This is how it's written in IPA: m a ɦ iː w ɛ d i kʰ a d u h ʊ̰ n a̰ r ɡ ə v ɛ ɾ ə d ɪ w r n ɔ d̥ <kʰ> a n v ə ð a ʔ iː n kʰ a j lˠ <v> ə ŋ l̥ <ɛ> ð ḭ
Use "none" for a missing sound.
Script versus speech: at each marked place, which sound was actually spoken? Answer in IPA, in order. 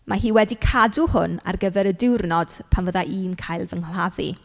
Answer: pʰ, v, a

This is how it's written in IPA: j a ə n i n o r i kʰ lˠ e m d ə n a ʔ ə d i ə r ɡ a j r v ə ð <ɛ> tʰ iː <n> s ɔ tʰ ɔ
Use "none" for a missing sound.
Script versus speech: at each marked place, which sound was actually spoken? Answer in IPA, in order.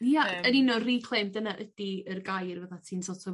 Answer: a, n

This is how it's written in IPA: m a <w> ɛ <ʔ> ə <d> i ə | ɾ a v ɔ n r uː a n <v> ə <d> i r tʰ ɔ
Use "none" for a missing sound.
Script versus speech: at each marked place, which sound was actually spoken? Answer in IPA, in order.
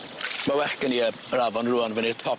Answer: w, k, n, v, n

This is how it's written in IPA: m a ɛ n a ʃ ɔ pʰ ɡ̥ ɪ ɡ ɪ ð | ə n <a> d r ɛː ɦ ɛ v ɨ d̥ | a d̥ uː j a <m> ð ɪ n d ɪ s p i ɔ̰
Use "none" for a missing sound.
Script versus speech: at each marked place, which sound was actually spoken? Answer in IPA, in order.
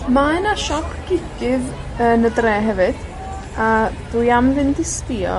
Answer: ə, m

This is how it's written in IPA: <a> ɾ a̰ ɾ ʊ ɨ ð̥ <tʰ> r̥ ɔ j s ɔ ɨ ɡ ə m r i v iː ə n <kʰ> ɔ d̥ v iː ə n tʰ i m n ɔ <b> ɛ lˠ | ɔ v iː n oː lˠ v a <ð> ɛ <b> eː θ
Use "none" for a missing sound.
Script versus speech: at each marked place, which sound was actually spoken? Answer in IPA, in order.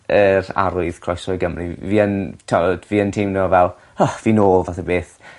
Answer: ə, kʰ, tʰ, v, θ, b

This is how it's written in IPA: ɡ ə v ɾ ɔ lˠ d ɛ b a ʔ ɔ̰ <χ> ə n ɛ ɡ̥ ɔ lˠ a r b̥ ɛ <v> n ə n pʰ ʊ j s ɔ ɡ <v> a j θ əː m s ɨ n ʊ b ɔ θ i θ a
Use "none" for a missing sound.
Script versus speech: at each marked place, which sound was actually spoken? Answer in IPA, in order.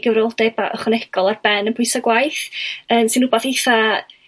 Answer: χ, none, w

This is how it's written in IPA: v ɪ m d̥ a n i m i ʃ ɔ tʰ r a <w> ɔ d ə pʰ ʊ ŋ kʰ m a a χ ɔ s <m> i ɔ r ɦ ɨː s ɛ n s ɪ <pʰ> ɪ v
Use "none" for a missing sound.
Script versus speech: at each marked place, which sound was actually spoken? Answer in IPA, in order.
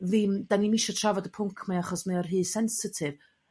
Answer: v, m, tʰ

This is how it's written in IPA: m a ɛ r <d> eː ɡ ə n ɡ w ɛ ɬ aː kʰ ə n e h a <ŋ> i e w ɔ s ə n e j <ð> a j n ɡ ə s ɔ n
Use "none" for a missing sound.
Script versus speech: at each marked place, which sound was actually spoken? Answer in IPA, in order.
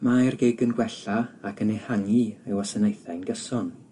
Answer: ɡ, ŋ, θ

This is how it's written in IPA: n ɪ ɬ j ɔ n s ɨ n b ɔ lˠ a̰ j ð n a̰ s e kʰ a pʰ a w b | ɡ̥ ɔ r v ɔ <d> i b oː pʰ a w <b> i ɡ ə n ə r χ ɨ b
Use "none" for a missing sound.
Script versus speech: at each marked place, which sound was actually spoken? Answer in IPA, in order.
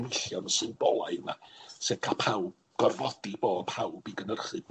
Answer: d, b

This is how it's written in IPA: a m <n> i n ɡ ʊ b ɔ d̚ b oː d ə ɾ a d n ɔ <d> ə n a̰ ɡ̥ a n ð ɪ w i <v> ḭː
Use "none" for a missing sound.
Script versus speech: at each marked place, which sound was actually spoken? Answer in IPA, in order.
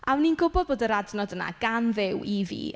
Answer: n, d, v

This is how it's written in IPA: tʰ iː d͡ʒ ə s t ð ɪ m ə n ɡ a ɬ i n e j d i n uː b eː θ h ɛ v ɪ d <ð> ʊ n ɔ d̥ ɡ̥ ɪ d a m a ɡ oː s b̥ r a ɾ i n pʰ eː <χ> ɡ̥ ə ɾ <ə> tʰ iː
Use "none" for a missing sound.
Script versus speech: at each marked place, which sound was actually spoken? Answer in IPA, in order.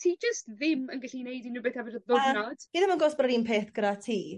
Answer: ð, θ, a

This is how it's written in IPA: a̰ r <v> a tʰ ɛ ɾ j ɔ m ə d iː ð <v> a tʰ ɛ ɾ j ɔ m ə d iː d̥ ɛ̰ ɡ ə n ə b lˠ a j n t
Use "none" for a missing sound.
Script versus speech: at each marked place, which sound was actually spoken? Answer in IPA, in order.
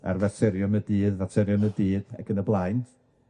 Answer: v, v

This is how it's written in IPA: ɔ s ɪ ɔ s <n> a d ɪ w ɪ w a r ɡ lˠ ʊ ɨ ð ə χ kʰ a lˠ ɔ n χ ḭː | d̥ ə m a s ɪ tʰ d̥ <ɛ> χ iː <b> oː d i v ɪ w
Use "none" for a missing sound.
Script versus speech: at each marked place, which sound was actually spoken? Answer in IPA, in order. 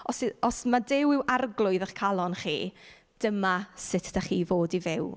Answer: m, a, v

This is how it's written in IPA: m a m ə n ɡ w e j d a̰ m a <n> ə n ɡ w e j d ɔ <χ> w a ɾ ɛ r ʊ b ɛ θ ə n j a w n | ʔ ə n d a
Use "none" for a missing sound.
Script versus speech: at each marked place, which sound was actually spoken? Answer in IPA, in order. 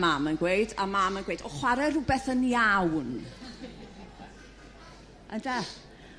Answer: m, χ

